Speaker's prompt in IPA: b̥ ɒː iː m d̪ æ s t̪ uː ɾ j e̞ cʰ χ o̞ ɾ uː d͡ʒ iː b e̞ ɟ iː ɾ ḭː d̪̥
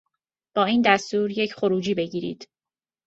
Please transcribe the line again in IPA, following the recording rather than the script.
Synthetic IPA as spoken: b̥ ɒː iː n d̪ æ s t̪ uː ɾ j e̞ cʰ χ o̞ ɾ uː d͡ʒ iː b e̞ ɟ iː ɾ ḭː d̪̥